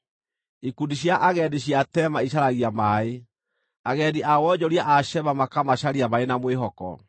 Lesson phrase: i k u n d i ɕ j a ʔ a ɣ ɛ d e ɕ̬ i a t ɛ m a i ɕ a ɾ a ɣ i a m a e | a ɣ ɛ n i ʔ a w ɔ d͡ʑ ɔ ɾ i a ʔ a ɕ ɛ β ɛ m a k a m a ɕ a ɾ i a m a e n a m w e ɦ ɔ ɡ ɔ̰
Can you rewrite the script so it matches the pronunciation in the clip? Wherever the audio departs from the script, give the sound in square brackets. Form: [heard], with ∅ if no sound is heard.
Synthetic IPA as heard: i k u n d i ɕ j a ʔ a ɣ ɛ d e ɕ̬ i a t ɛ m a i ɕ a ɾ a ɣ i a m a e | a ɣ ɛ [d] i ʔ a w ɔ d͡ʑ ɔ ɾ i a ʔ a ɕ ɛ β [a] m a k a m a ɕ a ɾ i a m a e n a m w e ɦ ɔ [k] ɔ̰